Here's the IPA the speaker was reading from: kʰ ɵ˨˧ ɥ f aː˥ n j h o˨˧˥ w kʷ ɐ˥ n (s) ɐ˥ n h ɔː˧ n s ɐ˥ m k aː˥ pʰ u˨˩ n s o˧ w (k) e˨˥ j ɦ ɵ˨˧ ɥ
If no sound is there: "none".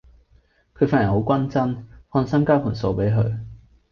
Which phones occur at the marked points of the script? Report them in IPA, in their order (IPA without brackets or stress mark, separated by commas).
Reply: t͡s, p